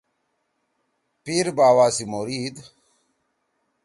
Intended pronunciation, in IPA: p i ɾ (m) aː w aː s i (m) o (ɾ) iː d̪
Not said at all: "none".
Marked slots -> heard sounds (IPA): b, m, ɾ

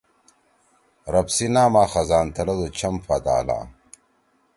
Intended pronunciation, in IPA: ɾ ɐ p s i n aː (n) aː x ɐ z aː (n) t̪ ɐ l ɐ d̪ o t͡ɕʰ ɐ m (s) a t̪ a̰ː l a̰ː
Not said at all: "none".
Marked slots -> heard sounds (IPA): m, n, f

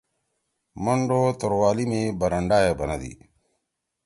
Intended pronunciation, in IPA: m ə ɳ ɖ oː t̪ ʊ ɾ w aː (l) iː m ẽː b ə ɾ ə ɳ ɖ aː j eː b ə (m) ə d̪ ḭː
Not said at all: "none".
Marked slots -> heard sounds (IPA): l, n

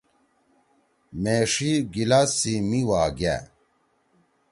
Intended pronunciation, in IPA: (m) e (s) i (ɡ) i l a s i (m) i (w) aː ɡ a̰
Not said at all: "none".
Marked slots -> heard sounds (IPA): m, ʂ, ɡ, m, w

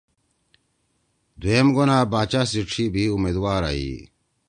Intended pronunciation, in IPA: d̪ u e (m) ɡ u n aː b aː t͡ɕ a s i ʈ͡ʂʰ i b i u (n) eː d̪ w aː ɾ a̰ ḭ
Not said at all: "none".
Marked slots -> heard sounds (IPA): m, m

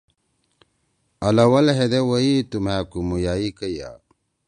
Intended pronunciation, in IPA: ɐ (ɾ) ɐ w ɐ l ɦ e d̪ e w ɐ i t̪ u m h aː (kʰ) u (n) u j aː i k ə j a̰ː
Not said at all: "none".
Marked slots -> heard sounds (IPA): l, k, m

